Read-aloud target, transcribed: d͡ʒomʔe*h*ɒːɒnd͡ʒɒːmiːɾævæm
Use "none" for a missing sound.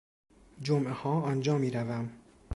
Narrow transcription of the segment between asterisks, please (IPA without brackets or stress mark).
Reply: h